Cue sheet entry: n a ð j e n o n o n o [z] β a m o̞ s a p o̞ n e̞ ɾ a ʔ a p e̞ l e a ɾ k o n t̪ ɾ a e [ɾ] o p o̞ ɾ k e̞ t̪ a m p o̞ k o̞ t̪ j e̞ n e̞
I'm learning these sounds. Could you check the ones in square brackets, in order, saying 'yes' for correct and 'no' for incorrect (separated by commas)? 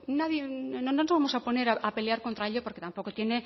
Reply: yes, no